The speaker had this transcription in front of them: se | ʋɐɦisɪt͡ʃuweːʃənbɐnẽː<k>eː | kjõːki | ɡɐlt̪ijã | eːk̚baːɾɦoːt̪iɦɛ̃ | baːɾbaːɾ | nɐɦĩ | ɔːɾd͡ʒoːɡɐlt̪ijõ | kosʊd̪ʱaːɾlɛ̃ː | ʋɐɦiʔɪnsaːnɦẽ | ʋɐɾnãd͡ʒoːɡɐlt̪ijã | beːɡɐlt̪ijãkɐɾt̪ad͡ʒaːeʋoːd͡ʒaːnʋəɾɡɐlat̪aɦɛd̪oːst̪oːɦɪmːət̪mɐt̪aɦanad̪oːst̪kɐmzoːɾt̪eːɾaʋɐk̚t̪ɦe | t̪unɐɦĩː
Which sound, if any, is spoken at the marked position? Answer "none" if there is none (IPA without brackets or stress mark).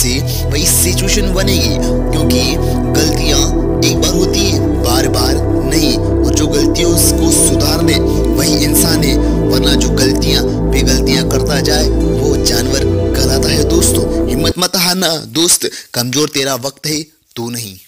ɡ